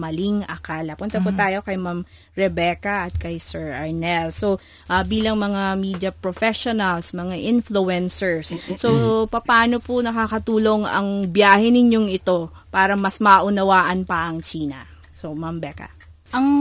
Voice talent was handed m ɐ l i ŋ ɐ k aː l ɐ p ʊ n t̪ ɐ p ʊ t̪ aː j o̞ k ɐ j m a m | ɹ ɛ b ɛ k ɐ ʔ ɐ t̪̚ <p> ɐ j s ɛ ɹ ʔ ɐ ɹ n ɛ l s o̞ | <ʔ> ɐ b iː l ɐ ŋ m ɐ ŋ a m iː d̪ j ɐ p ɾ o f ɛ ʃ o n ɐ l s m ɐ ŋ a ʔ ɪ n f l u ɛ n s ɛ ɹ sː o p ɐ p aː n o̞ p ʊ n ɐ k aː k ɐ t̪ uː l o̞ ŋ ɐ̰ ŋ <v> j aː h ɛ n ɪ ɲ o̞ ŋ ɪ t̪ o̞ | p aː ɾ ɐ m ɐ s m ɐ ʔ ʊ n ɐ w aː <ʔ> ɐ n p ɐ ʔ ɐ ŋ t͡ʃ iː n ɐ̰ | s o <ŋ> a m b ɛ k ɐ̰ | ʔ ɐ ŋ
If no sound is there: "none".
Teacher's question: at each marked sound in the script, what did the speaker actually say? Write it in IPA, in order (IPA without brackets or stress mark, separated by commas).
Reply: k, ʔ, b, ʔ, m